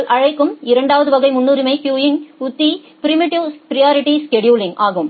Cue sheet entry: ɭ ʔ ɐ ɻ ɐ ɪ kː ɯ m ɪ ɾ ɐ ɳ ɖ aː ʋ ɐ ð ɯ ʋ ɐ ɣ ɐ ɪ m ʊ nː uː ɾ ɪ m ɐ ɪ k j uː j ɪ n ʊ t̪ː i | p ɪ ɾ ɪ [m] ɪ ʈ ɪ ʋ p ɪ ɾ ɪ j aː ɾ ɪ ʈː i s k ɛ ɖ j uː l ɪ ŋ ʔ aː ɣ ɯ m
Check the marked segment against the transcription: correct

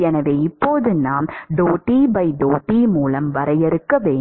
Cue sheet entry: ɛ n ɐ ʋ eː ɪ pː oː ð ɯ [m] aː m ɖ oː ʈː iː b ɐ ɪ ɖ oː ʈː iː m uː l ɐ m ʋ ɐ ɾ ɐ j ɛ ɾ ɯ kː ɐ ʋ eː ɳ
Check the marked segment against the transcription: incorrect: n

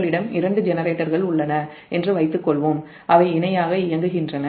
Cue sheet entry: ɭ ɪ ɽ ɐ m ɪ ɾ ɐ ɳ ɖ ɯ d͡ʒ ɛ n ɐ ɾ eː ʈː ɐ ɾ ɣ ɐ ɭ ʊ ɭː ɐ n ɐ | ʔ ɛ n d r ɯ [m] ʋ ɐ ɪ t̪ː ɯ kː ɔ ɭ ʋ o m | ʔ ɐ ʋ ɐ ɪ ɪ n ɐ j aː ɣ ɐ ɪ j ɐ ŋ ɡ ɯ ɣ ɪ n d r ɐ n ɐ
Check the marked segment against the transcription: incorrect: none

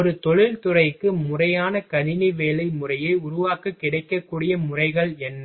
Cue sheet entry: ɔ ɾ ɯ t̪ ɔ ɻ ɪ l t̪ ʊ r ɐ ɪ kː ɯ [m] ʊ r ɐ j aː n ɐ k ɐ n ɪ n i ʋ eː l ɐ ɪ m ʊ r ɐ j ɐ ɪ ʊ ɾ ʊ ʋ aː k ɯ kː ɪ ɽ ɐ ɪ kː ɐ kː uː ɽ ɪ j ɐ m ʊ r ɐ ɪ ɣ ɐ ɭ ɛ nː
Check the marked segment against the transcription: correct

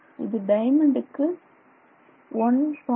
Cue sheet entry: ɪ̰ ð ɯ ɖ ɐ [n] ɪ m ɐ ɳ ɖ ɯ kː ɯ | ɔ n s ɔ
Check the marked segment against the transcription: incorrect: none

